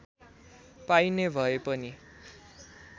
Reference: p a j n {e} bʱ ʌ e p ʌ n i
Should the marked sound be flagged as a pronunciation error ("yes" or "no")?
no